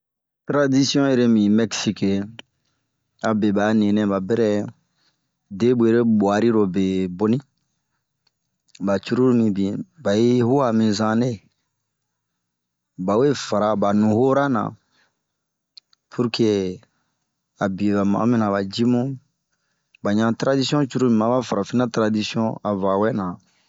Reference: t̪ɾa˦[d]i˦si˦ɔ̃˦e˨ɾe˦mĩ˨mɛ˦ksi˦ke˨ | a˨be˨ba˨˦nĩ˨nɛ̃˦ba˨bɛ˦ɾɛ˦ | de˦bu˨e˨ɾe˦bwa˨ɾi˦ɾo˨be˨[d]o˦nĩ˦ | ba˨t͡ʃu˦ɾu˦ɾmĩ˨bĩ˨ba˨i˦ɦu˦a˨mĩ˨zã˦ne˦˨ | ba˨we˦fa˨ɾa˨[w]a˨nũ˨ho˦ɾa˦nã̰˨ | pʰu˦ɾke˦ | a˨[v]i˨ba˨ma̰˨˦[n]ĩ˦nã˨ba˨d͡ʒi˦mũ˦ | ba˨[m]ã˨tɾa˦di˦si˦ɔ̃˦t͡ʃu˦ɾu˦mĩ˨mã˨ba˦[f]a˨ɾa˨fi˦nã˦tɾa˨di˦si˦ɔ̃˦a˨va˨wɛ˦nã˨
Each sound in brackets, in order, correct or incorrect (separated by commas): correct, incorrect, incorrect, incorrect, incorrect, incorrect, correct